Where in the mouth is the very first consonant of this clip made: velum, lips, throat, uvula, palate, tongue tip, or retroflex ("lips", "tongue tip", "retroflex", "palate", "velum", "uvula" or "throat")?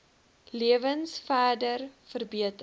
tongue tip